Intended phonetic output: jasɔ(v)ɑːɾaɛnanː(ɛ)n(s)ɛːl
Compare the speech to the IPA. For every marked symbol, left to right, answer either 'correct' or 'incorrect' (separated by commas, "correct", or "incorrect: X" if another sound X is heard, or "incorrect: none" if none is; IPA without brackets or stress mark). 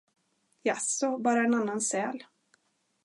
incorrect: b, incorrect: a, correct